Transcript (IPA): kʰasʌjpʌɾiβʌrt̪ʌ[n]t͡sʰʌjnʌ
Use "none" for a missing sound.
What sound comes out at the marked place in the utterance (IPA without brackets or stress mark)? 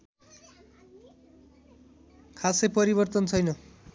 n